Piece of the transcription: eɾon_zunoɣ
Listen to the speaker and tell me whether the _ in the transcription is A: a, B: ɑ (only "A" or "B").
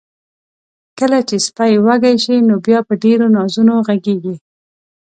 B